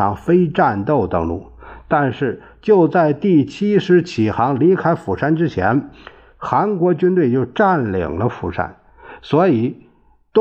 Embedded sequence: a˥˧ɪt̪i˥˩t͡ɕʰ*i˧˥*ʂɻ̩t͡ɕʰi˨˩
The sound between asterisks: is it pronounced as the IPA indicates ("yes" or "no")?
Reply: no